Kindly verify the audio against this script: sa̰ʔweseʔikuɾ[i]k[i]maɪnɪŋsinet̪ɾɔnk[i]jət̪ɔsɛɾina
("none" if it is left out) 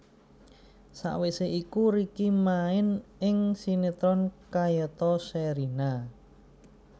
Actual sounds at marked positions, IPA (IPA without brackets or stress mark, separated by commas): i, i, a